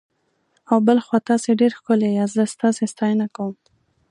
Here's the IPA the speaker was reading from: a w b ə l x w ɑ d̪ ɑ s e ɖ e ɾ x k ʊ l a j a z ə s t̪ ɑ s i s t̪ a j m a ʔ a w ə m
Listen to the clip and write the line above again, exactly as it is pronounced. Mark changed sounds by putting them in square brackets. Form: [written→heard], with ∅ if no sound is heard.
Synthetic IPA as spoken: a w b ə l x w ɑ [d̪→t̪] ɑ s e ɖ e ɾ x k ʊ l [a→e] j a z ə s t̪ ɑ s [i→e] s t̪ [a→ɑ] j [m→n] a [ʔ→k] a w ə m